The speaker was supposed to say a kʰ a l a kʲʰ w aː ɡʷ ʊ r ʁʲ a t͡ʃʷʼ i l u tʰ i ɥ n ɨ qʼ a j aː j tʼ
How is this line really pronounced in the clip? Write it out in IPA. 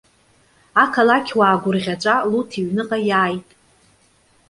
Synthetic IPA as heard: a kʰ a l a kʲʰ w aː ɡʷ ʊ r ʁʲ a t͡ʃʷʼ a l u tʰ i ɥ n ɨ qʼ a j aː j tʼ